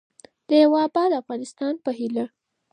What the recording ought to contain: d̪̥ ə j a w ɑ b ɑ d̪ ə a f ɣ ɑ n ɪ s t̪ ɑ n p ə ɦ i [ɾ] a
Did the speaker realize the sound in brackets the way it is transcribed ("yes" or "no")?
no